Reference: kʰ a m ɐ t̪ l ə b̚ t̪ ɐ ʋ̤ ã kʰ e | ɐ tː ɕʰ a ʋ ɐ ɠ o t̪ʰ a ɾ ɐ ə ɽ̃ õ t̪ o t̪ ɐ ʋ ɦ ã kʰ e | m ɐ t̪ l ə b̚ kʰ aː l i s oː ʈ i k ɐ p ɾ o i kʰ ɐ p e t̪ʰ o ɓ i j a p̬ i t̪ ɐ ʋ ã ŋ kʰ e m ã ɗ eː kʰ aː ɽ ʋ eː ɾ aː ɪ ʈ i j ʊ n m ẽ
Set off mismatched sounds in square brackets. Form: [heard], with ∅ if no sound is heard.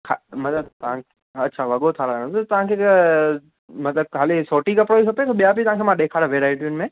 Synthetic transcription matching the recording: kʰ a m ɐ t̪ l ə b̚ t̪ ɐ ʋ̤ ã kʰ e | ɐ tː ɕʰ a ʋ ɐ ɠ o t̪ʰ a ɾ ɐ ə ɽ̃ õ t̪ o t̪ ɐ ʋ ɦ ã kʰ e | m ɐ t̪ l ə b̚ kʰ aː l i s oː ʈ i k ɐ p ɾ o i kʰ ɐ p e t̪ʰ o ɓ i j a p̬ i t̪ ɐ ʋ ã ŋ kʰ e m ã ɗ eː kʰ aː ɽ ʋ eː ɾ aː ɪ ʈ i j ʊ n m ẽ